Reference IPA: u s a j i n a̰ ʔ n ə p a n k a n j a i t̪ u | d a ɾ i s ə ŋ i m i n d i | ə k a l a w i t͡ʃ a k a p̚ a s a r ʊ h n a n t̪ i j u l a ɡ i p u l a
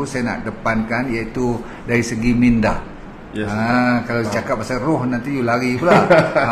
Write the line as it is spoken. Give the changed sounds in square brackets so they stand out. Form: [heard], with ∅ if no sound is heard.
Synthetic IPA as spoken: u s a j [a] n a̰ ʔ [d] ə p a n k a n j a i t̪ u | d a ɾ i s ə [ɡ] i m i n d [a] | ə k a l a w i t͡ʃ a k a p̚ a s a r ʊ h n a n t̪ i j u l a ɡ i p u l a